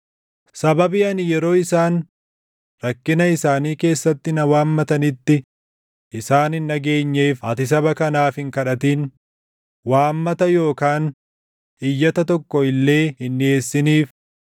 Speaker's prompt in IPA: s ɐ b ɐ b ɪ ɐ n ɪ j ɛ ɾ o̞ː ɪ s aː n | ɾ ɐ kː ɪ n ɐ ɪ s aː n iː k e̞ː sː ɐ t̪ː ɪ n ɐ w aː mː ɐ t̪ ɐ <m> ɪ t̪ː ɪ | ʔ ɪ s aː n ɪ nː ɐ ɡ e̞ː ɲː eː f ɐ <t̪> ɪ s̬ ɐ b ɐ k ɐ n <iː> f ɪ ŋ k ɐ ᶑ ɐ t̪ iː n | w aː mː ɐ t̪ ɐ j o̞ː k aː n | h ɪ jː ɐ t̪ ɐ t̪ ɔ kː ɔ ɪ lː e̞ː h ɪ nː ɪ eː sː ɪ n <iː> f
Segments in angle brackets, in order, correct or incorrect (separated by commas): incorrect, correct, incorrect, correct